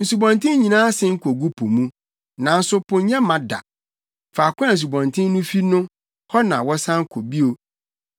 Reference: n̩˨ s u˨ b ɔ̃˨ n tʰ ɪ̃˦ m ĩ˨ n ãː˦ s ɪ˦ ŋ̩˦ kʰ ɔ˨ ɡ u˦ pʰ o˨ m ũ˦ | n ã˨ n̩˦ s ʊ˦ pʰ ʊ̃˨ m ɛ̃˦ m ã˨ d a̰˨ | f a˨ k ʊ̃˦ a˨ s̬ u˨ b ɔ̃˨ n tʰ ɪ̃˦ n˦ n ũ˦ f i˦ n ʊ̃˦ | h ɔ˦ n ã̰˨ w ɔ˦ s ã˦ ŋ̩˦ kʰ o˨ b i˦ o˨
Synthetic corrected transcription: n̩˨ s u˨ b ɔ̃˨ n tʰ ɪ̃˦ ɲ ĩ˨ n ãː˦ s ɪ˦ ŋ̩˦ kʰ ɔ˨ ɡ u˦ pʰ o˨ m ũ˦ | n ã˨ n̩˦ s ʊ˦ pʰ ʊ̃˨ ɲ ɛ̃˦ m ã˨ d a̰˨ | f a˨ k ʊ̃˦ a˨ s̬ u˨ b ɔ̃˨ n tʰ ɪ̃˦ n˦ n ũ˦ f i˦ n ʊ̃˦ | h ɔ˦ n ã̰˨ w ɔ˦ s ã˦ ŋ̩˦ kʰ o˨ b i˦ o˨